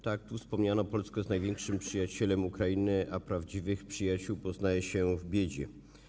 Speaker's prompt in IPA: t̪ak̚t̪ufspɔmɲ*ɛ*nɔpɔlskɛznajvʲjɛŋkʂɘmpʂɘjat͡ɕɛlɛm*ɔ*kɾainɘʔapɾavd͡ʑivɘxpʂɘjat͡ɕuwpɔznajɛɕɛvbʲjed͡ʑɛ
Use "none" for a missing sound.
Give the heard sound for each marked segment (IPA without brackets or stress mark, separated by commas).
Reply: a, u